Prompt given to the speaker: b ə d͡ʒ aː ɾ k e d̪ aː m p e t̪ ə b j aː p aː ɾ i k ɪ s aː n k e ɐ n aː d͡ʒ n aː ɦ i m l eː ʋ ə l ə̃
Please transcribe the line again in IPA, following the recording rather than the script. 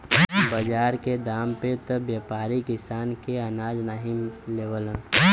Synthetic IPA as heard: b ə d͡ʒ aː ɾ k e d̪ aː m p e t̪ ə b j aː p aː ɾ i k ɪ s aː n k e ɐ n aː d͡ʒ n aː ɦ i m l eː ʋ ə l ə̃